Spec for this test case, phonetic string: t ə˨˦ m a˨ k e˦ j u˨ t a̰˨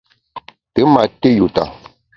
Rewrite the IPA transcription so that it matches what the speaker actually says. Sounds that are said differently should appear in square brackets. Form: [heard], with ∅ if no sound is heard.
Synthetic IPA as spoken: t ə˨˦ m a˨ [t] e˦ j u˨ t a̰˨